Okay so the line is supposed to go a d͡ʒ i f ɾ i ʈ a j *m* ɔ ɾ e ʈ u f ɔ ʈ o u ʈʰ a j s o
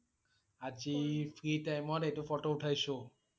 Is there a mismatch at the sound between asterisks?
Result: no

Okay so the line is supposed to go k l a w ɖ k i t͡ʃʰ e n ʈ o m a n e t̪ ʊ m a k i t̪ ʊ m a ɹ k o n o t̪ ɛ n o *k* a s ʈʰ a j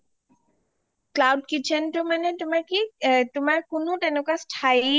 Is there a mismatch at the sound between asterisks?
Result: no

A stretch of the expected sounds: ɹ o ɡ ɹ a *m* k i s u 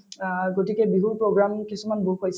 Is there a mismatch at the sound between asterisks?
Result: no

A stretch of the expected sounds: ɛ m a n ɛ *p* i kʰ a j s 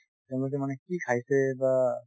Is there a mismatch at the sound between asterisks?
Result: yes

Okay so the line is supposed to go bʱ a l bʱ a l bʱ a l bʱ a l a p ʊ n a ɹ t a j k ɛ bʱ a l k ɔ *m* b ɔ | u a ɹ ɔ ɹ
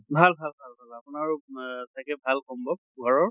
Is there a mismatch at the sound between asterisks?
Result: no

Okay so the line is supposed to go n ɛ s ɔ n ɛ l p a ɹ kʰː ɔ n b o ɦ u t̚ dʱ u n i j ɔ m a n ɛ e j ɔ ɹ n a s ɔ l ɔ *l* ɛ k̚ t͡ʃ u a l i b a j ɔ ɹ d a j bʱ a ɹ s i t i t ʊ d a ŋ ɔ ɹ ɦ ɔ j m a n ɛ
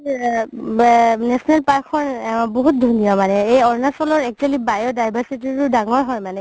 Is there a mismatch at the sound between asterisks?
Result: yes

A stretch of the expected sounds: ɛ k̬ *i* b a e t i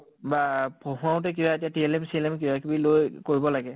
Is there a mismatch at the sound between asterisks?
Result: no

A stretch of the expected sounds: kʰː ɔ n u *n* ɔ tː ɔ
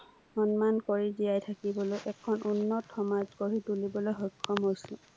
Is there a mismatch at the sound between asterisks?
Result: yes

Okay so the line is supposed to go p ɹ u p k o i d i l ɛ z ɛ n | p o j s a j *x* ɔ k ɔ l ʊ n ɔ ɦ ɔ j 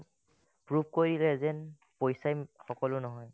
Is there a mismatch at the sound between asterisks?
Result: no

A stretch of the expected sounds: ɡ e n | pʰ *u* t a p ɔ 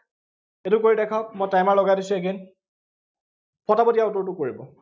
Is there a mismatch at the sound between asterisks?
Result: yes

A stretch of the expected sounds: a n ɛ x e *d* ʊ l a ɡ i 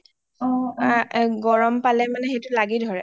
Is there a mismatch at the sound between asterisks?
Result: yes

